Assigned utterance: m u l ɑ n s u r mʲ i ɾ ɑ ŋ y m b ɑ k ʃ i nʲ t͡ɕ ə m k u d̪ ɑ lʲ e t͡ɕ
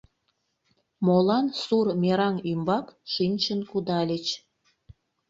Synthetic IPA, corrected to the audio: m o l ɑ n s u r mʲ e ɾ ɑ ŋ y m b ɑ k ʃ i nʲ t͡ɕ ə n k u d̪ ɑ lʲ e t͡ɕ